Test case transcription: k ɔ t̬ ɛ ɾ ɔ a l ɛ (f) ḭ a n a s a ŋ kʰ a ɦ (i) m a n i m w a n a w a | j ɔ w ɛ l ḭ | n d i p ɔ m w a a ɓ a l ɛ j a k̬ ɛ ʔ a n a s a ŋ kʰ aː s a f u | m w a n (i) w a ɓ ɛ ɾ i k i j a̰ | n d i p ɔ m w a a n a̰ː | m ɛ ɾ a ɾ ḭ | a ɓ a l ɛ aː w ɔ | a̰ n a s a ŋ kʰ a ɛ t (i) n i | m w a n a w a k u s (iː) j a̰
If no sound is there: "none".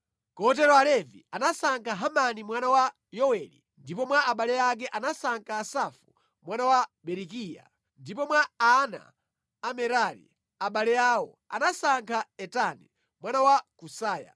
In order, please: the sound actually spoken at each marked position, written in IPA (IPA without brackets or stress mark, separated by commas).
v, a, a, a, aː